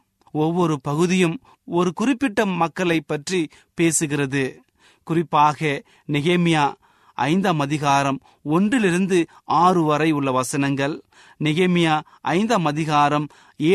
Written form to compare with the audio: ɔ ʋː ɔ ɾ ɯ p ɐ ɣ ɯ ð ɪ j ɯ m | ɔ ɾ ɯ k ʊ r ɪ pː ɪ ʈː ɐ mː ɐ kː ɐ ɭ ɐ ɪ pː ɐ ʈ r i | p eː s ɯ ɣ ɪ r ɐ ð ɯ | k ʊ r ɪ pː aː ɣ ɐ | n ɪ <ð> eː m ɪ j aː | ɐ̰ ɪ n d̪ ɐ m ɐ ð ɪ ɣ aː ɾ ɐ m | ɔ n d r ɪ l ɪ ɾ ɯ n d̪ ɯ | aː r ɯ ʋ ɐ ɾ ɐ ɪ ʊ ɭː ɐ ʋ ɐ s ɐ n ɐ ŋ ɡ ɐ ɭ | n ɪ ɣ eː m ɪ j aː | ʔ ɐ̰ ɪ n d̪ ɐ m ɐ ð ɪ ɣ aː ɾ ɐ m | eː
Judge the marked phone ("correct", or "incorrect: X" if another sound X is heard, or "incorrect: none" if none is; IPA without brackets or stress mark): incorrect: ɣ